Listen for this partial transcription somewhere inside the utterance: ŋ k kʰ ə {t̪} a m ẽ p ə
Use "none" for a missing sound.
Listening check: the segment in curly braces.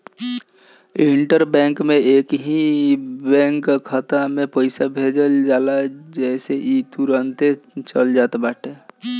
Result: t̪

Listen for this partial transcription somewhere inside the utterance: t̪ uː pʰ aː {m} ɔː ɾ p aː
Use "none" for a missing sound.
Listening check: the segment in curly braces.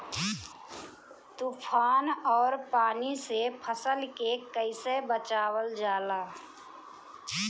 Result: n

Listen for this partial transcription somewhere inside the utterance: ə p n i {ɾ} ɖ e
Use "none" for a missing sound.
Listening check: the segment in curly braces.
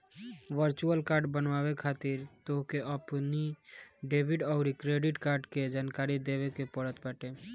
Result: none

